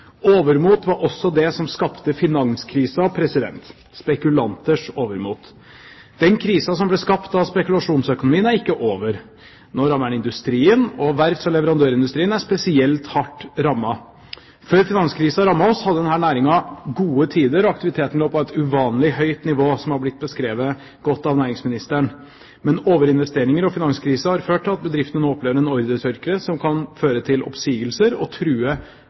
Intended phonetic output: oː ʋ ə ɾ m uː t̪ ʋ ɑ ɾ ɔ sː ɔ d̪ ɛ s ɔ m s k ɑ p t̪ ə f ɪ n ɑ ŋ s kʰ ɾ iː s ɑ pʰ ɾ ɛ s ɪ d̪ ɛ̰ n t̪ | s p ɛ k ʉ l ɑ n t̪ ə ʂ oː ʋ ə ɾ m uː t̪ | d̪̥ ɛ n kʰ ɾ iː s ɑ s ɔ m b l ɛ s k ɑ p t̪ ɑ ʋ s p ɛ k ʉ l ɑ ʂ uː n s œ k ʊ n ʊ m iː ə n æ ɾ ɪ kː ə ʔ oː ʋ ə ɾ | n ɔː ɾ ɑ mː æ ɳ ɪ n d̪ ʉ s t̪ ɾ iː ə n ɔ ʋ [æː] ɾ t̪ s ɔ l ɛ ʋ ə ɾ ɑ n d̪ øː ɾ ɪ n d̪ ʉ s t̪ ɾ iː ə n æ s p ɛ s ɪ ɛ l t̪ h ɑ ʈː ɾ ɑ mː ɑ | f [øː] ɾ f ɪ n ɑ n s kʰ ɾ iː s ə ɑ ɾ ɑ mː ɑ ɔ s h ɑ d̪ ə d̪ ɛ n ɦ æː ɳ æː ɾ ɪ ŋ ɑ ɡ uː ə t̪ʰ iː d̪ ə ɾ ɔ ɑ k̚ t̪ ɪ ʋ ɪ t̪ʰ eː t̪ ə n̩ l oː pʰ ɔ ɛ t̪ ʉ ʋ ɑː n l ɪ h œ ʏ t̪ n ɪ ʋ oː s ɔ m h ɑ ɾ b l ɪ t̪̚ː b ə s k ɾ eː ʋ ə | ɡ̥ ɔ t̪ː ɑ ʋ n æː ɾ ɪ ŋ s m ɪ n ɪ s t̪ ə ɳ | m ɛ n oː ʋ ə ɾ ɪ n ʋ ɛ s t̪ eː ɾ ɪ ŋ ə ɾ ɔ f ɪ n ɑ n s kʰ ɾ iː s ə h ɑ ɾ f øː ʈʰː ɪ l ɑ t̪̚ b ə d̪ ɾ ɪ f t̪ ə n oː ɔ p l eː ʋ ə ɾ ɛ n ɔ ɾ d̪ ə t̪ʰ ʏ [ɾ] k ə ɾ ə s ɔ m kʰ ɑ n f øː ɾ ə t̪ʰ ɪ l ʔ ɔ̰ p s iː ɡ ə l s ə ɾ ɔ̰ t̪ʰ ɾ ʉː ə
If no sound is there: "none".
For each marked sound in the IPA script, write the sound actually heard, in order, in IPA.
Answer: æ, øː, ɾ

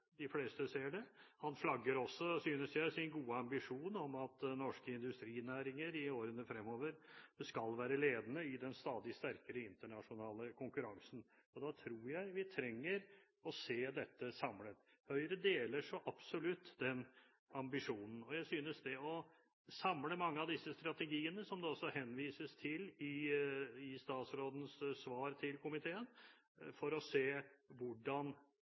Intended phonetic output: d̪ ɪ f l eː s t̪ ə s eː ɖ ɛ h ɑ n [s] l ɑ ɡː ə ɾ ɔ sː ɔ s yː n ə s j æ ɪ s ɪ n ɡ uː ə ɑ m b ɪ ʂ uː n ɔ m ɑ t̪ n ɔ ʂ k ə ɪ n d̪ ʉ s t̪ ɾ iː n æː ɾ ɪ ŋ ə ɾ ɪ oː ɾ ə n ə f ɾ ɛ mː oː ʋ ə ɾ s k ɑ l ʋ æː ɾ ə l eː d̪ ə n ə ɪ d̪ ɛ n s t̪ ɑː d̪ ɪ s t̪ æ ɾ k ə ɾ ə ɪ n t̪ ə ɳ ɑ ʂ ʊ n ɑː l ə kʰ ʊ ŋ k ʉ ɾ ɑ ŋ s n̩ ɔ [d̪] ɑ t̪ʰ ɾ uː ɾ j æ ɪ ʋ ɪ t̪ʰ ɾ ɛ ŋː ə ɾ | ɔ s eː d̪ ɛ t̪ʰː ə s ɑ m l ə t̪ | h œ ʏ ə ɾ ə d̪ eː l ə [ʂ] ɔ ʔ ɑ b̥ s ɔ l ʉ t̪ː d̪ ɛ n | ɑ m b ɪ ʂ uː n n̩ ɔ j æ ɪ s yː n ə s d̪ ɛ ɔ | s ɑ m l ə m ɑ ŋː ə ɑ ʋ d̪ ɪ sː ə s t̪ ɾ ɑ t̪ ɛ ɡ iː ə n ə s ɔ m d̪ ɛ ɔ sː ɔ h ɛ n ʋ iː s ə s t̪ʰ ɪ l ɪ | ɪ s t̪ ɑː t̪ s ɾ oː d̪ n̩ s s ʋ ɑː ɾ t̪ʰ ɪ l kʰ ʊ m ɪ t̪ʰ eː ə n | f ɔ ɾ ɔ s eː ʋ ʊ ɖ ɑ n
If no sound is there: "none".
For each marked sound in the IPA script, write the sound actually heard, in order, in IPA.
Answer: f, d̪, ʂ

